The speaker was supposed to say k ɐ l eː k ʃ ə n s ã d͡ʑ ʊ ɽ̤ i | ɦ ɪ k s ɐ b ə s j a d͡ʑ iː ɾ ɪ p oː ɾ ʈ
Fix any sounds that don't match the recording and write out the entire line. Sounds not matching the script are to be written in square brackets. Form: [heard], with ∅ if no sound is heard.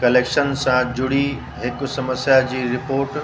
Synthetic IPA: k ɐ l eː k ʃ ə n s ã d͡ʑ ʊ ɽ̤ i | ɦ ɪ k s ɐ [m] ə s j a d͡ʑ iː ɾ ɪ p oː ɾ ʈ